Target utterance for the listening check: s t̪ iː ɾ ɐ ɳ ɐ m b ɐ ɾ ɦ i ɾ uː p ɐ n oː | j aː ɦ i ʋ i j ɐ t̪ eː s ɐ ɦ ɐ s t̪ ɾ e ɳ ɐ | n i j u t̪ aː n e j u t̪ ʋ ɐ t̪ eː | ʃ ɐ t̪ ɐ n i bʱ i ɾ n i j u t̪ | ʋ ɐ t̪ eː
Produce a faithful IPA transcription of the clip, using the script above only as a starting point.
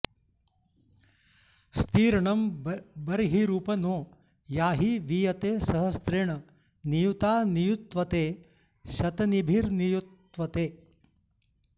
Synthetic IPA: s t̪ iː ɾ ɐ ɳ ɐ m b ɐ ɾ ɦ i ɾ uː p ɐ n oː | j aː ɦ i ʋ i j ɐ t̪ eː s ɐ ɦ ɐ s t̪ ɾ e ɳ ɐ | n i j u t̪ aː n i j u t̪ ʋ ɐ t̪ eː | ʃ ɐ t̪ ɐ n i bʱ i ɾ n i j u t̪ | ʋ ɐ t̪ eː